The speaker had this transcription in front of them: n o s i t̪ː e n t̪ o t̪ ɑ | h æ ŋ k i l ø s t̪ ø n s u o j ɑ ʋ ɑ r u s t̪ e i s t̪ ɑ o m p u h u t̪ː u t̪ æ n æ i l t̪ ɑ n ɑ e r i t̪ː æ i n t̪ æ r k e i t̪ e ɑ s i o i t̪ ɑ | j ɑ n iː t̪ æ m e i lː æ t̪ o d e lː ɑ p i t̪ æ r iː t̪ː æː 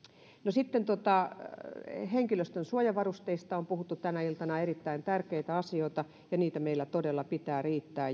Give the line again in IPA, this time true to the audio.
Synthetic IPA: n o s i t̪ː e n t̪ o t̪ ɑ | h e ŋ k i l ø s t̪ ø n s u o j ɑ ʋ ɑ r u s t̪ e i s t̪ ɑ o m p u h u t̪ː u t̪ æ n æ i l t̪ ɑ n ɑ e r i t̪ː æ i n t̪ æ r k e i t̪ æ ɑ s i o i t̪ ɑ | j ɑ n iː t̪ æ m e i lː æ t̪ o d e lː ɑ p i t̪ æː r iː t̪ː æː